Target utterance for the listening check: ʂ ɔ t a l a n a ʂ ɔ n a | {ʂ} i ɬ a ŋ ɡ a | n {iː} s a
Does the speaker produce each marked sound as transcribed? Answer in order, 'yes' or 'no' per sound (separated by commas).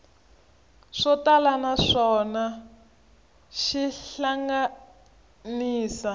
no, yes